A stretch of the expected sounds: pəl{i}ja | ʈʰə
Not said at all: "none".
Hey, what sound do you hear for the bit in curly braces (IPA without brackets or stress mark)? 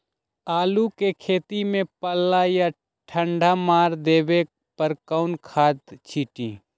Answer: a